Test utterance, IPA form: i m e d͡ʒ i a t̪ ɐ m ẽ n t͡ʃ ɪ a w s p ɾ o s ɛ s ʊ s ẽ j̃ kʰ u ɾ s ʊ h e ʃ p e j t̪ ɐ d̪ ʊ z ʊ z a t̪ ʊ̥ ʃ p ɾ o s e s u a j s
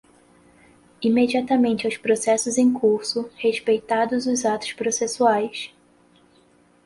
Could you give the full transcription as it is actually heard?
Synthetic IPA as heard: i m e d͡ʒ i a t̪ ɐ m ẽ n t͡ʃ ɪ a w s p ɾ o s ɛ s ʊ z ẽ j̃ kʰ u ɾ s ʊ h e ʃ p e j t̪ a d̪ ʊ z ʊ z a t̪ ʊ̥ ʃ p ɾ o s e s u a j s